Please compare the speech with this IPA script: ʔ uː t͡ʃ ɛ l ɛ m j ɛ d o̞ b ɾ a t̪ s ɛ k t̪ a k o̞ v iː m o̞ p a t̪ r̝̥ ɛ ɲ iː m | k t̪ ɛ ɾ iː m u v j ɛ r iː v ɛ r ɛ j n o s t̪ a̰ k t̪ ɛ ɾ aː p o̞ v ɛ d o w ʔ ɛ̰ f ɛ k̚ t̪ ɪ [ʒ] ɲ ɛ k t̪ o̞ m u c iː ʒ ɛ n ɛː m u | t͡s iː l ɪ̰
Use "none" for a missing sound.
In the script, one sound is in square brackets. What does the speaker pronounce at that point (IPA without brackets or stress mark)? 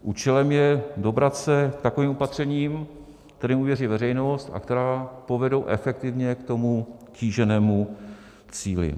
v